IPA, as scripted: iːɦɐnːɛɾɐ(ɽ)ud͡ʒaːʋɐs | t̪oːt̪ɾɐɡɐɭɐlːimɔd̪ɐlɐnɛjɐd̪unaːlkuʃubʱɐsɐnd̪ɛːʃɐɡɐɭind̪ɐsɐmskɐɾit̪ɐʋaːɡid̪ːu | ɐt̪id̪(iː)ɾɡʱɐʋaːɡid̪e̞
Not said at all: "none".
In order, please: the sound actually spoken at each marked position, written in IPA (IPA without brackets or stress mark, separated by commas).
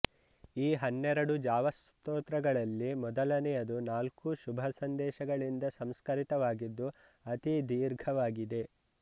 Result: ɽ, iː